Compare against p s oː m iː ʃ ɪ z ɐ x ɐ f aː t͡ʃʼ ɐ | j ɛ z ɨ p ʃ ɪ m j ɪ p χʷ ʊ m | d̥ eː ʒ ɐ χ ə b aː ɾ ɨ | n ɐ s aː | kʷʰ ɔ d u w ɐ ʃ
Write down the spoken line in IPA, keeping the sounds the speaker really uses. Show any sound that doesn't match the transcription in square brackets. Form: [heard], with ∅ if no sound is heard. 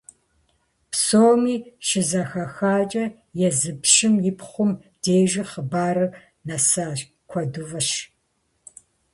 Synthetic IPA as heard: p s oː m iː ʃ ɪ z ɐ x ɐ [x] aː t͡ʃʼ ɐ | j ɛ z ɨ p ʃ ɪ m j ɪ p χʷ ʊ m | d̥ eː ʒ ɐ χ ə b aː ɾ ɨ | n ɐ s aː | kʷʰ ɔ d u [v] ɐ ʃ